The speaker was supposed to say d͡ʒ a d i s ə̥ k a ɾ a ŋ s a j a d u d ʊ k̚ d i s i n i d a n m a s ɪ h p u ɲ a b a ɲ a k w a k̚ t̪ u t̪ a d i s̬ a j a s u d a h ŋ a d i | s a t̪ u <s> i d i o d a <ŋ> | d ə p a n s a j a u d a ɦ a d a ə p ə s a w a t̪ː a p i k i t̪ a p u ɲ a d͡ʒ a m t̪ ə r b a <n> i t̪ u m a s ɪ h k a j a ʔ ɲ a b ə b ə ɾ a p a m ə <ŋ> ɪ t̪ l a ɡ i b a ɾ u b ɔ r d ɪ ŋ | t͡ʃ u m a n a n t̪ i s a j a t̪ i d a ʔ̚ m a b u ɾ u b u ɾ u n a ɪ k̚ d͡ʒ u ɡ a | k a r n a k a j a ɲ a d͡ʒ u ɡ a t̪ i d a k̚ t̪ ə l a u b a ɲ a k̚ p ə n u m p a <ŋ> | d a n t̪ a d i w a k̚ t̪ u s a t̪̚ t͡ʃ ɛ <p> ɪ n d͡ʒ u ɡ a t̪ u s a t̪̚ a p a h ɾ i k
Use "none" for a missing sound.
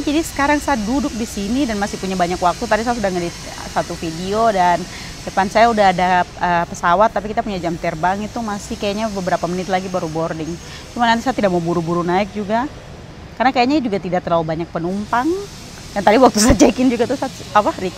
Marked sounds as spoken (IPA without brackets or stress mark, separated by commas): f, n, ŋ, n, ŋ, k